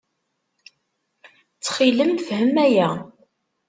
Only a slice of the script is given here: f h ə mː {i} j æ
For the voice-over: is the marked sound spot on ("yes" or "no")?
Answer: no